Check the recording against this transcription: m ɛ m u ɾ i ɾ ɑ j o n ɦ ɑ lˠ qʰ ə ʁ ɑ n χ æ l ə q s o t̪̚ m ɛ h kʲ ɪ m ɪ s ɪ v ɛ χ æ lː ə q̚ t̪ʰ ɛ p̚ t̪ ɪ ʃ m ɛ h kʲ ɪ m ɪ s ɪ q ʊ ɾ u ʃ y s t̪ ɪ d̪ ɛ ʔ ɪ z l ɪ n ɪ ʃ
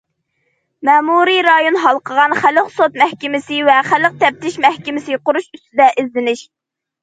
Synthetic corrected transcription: m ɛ m u ɾ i ɾ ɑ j o n ɦ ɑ lˠ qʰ ə ʁ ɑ n χ æ l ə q s o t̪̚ m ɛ h kʲ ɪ m ɪ s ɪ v ɛ χ æ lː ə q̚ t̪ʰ ɛ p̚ t̪ ɪ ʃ m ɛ h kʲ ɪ m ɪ s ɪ q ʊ ɾ u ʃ y s t̪ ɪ d̪ ɛ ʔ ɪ z l ɪ n ɪ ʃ

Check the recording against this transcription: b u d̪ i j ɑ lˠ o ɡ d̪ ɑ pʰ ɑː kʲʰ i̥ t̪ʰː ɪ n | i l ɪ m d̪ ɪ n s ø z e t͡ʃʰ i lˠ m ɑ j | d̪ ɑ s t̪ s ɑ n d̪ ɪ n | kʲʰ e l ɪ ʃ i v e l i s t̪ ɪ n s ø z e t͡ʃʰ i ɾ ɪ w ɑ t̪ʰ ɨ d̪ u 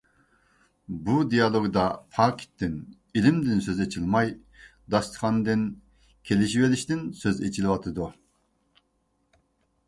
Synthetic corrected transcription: b u d̪ i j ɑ lˠ o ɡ d̪ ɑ pʰ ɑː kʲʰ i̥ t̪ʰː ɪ n | i l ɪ m d̪ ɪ n s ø z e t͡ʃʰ i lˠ m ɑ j | d̪ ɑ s t̪ χ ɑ n d̪ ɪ n | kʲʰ e l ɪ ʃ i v e l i ʃ t̪ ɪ n s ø z e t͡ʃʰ i l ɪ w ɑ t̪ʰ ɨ d̪ u

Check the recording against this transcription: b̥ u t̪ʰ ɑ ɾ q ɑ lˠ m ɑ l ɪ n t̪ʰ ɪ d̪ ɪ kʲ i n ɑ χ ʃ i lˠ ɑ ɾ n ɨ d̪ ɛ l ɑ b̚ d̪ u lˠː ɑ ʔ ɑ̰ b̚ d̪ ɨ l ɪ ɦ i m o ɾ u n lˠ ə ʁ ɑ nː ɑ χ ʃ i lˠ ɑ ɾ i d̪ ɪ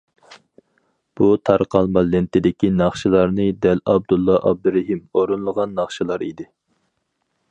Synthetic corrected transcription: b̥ u t̪ʰ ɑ ɾ q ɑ lˠ m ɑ l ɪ n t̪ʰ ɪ d̪ ɪ kʲ i n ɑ χ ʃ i lˠ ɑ ɾ n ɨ d̪ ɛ l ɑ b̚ d̪ u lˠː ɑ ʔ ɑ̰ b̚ d̪ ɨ ɾ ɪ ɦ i m o ɾ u n lˠ ə ʁ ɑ nː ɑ χ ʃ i lˠ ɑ ɾ i d̪ ɪ

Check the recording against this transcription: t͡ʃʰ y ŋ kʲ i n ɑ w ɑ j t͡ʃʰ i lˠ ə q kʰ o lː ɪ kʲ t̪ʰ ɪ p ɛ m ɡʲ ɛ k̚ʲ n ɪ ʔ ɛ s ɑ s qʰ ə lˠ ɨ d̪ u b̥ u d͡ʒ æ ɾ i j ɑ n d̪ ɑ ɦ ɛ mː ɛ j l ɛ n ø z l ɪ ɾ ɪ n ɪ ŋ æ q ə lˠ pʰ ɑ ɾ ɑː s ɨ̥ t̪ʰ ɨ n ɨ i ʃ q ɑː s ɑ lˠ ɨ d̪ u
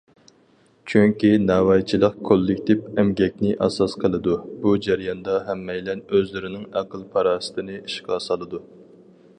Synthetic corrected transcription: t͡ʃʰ y ŋ kʲ i n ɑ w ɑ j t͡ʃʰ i lˠ ə q kʰ o lː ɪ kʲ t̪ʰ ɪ p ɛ m ɡʲ ɛ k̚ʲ n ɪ ʔ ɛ s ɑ s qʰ ə lˠ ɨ d̪ u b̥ u d͡ʒ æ ɾ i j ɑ n d̪ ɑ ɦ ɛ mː ɛ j l ɛ n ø z l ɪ ɾ ɪ n ɪ ŋ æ q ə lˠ pʰ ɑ ɾ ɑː s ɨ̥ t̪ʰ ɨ n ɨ i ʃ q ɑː s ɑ lˠ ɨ d̪ u

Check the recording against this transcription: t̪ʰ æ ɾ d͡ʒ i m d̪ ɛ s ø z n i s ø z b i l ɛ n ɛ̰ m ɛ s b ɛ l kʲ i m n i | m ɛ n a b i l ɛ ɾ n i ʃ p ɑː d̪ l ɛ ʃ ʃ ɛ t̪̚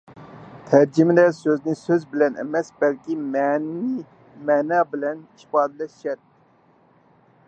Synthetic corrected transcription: t̪ʰ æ ɾ d͡ʒ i m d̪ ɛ s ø z n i s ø z b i l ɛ n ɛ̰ m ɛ s b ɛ l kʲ i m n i | m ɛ n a b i l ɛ n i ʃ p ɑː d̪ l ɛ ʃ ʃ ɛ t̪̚

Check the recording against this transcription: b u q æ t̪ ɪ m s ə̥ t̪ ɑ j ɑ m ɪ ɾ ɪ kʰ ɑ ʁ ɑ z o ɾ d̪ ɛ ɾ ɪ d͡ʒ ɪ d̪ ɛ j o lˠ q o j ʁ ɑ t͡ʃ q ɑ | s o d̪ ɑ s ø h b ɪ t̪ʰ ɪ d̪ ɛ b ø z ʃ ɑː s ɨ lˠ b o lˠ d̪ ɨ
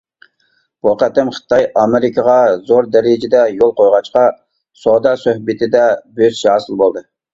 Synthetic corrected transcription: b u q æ t̪ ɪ m χ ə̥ t̪ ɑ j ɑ m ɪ ɾ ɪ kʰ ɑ ʁ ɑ z o ɾ d̪ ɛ ɾ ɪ d͡ʒ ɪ d̪ ɛ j o lˠ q o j ʁ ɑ t͡ʃ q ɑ | s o d̪ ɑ s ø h b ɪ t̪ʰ ɪ d̪ ɛ b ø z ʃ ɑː s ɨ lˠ b o lˠ d̪ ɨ

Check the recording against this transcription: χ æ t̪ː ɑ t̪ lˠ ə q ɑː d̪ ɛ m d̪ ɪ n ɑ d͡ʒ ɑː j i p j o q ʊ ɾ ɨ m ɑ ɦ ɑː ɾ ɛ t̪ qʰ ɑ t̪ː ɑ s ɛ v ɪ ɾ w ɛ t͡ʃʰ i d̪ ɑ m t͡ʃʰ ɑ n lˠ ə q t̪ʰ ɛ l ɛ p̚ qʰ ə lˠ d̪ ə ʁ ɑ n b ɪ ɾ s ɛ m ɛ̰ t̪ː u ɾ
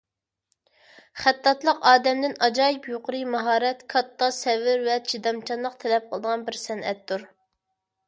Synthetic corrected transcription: χ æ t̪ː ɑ t̪ lˠ ə q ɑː d̪ ɛ m d̪ ɪ n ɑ d͡ʒ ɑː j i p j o q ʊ ɾ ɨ m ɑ ɦ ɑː ɾ ɛ t̪ kʰ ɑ t̪ː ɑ s ɛ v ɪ ɾ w ɛ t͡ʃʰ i d̪ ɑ m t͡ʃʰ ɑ n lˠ ə q t̪ʰ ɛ l ɛ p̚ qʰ ə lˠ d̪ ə ʁ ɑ n b ɪ ɾ s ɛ n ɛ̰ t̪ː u ɾ

